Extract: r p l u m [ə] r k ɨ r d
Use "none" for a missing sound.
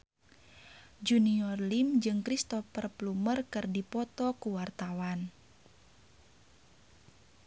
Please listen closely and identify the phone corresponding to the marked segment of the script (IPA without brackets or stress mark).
ə